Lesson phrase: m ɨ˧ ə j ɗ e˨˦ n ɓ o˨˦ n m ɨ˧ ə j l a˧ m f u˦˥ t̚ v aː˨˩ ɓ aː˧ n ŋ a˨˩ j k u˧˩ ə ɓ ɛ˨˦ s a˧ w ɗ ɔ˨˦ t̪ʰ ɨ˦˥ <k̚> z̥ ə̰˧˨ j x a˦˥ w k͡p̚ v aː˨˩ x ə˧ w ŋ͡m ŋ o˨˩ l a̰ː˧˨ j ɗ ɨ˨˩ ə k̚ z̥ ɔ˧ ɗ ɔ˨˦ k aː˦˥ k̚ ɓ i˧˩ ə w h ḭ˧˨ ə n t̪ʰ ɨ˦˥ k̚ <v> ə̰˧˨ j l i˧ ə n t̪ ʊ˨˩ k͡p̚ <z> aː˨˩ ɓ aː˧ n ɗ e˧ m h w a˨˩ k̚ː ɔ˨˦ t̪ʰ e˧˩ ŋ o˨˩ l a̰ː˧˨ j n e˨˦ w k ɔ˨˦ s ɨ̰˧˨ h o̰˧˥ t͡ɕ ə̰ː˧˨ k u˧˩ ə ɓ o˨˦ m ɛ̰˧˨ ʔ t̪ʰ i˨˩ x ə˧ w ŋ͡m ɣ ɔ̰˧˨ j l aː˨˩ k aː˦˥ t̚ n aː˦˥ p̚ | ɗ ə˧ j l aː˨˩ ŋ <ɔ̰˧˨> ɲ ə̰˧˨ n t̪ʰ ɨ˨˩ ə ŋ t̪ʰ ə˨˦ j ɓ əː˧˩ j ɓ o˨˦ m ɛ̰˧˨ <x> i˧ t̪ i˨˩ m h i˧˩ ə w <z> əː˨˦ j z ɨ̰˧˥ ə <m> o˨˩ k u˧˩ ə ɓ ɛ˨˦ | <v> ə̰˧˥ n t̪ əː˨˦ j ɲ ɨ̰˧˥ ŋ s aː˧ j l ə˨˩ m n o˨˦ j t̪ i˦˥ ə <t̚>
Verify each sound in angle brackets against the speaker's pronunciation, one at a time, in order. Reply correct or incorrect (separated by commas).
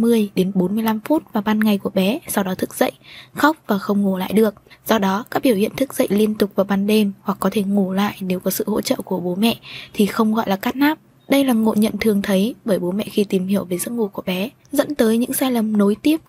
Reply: correct, incorrect, incorrect, incorrect, correct, incorrect, incorrect, incorrect, incorrect